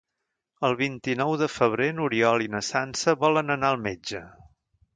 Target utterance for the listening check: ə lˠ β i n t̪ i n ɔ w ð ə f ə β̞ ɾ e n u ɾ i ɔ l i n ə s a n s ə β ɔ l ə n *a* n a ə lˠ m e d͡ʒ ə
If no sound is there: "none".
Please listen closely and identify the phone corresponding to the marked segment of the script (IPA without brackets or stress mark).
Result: ə